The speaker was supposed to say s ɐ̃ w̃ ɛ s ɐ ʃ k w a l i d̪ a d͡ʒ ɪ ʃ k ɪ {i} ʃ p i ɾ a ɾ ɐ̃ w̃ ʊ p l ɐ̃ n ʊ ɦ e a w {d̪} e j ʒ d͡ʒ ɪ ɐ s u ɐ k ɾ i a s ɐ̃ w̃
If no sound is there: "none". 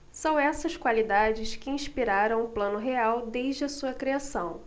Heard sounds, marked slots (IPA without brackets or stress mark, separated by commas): ĩ, d̪